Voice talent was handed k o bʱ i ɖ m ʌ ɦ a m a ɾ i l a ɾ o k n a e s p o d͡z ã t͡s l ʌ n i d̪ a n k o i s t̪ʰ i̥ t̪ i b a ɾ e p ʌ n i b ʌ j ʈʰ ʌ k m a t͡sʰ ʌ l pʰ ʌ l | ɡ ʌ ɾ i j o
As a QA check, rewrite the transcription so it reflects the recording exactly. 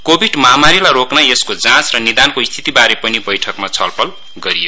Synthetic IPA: k o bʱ i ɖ m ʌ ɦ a m a ɾ i l a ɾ o k n a e s k o d͡z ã t͡s r ʌ n i d̪ a n k o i s t̪ʰ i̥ t̪ i b a ɾ e p ʌ n i b ʌ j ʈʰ ʌ k m a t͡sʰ ʌ l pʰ ʌ l | ɡ ʌ ɾ i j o